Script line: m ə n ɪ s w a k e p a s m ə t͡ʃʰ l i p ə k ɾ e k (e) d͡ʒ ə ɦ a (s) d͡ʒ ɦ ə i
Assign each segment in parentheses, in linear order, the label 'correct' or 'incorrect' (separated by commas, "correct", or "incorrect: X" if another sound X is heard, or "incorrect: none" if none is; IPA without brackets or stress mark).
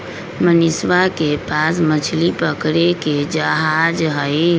correct, incorrect: none